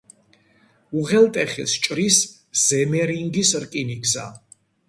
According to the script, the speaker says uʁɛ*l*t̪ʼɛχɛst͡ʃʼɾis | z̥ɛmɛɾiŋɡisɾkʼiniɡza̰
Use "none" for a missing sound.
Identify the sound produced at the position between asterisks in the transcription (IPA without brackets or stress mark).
l